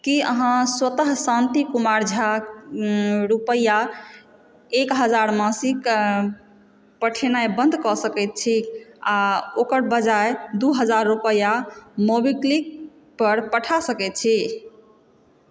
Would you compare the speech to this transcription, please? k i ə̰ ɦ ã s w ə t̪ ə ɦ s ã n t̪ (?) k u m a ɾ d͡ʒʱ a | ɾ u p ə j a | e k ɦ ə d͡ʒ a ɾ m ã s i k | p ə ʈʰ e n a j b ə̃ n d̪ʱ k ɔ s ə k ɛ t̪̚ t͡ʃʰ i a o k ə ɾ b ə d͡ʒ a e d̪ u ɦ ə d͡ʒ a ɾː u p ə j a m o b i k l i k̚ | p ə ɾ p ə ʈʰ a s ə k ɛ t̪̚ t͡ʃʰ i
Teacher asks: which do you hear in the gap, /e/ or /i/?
i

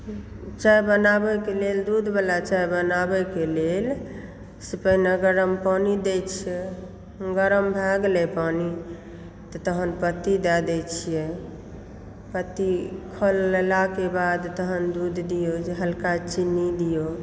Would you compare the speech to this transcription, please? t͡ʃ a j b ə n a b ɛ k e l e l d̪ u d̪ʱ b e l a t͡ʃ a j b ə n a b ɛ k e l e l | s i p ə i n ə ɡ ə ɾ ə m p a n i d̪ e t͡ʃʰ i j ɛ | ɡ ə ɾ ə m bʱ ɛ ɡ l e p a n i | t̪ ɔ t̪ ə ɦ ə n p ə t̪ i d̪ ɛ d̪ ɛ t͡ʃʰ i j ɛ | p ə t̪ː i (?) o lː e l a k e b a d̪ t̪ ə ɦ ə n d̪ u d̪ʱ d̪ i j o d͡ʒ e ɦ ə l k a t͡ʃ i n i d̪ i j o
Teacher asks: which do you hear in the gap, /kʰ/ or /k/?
kʰ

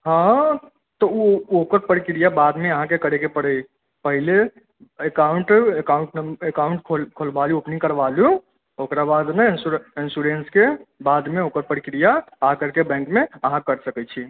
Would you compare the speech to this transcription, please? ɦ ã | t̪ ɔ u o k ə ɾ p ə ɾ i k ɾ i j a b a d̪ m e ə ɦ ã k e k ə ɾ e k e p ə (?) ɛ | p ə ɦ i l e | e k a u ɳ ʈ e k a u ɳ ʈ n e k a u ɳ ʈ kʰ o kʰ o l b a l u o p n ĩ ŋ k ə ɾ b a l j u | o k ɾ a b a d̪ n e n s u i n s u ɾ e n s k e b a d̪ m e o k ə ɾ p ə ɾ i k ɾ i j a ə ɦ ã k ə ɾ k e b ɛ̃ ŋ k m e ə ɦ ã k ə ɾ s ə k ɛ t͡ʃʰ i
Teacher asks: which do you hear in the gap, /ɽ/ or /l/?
ɽ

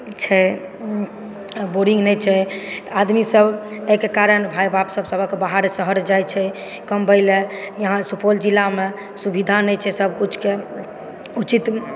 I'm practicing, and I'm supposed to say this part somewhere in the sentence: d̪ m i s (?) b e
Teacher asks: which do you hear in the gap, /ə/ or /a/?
ə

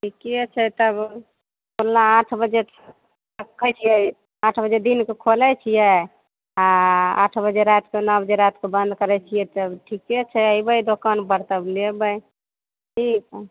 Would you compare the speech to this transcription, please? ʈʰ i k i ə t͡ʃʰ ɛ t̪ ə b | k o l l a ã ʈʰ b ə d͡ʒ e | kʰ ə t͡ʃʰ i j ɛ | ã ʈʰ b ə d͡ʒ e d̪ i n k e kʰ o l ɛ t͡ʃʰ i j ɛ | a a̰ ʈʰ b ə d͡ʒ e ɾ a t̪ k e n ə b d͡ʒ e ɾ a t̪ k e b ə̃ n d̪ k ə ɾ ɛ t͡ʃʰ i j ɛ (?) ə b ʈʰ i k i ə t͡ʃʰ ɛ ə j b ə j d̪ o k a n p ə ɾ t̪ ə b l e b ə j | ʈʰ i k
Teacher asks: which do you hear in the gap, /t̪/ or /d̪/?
t̪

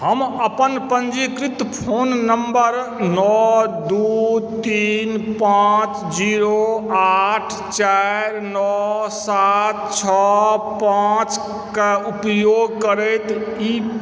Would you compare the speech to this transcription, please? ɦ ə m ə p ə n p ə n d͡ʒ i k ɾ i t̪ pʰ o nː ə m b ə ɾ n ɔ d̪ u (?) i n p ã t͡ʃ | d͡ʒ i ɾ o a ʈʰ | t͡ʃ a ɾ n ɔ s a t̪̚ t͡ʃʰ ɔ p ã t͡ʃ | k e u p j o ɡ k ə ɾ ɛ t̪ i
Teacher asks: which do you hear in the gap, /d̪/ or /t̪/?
t̪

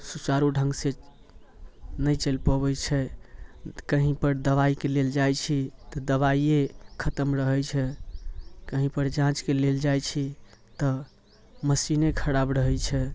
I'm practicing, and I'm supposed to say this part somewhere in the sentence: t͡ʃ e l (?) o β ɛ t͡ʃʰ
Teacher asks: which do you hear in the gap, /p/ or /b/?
p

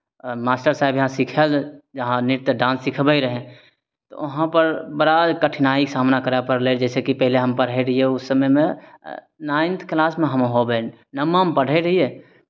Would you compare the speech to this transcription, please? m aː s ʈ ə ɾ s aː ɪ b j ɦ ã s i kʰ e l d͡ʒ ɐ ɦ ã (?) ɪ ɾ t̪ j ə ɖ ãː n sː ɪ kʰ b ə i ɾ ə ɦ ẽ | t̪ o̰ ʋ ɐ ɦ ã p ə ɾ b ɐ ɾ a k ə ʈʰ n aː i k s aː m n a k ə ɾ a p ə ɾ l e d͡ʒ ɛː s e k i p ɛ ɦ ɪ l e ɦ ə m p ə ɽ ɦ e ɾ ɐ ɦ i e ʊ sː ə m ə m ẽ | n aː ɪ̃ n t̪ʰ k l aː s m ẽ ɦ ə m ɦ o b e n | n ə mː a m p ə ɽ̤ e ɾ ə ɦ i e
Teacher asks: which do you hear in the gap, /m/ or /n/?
n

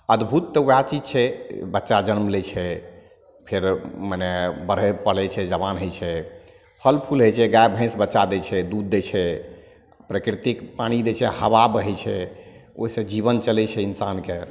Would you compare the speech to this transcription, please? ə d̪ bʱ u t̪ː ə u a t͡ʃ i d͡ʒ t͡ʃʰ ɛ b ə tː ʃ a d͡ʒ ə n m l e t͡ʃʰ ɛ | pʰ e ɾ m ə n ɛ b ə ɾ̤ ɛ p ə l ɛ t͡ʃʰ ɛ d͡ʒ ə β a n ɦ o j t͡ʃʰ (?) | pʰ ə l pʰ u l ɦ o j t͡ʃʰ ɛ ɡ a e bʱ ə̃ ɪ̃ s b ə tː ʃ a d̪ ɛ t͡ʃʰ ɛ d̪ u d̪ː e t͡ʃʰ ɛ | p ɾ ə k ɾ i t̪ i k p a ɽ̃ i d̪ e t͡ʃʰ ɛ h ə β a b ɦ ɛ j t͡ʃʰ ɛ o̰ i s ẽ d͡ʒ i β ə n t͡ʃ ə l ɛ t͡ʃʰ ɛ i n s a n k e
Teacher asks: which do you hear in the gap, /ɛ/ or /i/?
ɛ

